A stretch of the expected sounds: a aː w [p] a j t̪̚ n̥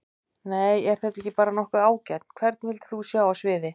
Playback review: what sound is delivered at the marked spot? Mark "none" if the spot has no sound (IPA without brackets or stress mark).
c